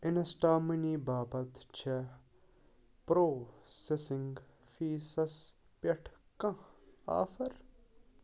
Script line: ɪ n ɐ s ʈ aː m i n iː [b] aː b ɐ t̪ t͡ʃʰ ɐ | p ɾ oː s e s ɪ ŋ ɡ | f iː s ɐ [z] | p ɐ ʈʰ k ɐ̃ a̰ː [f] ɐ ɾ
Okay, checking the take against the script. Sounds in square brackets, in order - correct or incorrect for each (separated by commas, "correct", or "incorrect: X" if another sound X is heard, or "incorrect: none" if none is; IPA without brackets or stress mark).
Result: correct, incorrect: s, correct